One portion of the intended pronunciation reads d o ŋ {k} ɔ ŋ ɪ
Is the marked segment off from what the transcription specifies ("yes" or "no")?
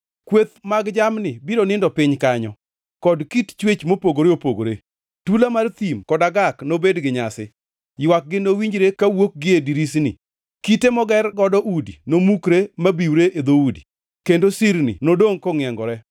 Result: no